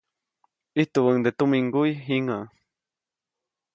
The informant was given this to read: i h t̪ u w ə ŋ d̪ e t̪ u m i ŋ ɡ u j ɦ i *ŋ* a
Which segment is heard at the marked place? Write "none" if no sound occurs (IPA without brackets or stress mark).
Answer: ŋ